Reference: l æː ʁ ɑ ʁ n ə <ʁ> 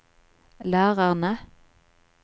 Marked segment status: incorrect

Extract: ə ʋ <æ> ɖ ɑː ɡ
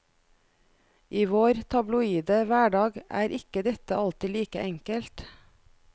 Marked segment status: incorrect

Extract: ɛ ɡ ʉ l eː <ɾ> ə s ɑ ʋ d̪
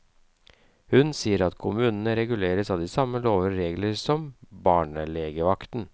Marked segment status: correct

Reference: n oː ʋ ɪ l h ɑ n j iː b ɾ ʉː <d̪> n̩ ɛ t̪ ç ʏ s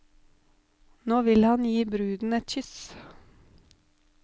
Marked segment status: correct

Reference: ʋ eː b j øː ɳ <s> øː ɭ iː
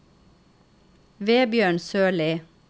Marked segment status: correct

